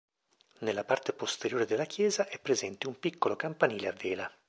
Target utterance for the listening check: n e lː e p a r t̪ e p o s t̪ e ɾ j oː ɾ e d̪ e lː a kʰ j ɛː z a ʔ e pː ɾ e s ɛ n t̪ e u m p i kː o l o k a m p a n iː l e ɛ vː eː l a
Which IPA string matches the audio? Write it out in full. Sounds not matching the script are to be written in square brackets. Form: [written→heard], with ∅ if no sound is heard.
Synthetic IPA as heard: n e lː [e→a] p a r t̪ e p o s t̪ e ɾ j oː ɾ e d̪ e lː a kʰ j ɛː z a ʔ [e→ɛ] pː ɾ e [s→z] ɛ n t̪ e u m p i kː o l o k a m p a n iː l e [ɛ→a] vː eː l a